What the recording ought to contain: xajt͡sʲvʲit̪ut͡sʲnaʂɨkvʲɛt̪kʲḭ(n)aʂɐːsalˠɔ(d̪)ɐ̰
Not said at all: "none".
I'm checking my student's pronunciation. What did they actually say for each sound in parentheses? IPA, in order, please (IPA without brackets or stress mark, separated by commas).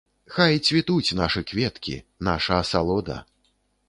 n, d̪